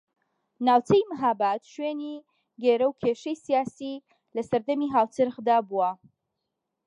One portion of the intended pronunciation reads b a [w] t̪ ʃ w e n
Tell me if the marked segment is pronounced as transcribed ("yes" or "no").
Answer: no